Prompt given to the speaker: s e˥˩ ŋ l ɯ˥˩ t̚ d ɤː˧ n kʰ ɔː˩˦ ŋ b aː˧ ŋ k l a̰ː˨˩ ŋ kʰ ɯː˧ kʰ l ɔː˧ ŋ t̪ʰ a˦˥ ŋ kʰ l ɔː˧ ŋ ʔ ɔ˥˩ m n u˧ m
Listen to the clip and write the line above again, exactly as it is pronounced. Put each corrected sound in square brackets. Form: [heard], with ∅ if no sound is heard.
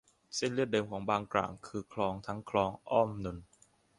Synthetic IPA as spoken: s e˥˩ [n] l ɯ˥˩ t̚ d ɤː˧ [m] kʰ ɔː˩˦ ŋ b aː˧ ŋ k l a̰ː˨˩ ŋ kʰ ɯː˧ kʰ l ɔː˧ ŋ t̪ʰ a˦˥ ŋ kʰ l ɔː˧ ŋ ʔ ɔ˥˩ m n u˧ [n]